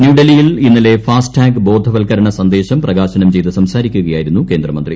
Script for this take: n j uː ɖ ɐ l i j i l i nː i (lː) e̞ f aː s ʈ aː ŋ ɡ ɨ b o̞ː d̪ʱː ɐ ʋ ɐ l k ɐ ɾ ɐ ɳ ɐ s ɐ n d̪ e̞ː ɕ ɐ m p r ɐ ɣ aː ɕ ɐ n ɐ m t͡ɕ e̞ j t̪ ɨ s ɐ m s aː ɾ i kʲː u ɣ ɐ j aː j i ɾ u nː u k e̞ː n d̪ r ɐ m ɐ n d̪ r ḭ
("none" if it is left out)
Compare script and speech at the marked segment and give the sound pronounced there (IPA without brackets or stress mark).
l